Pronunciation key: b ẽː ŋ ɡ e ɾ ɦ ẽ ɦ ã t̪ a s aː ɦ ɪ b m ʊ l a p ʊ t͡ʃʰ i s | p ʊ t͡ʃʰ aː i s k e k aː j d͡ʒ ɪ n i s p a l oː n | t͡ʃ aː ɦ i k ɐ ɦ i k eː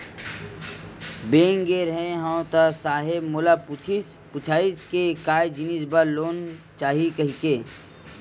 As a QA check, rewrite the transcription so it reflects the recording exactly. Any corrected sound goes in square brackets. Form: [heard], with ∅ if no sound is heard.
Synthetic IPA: b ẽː ŋ ɡ e ɾ ɦ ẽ ɦ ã t̪ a s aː ɦ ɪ b m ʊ l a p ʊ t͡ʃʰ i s | p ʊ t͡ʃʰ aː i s k e k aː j d͡ʒ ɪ n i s [b] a l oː n | t͡ʃ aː ɦ i k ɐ ɦ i k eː